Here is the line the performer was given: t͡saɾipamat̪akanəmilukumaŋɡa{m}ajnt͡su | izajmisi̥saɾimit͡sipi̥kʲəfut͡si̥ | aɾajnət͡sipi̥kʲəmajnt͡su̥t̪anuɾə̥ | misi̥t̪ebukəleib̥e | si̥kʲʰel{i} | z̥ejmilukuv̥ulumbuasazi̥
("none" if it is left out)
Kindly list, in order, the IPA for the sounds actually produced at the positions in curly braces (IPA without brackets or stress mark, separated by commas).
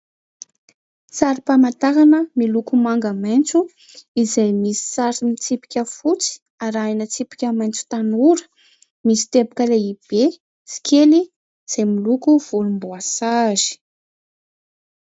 m, i